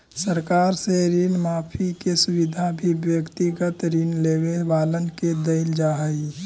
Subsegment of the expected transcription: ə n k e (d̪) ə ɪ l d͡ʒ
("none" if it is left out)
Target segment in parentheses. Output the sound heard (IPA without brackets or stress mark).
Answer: d̪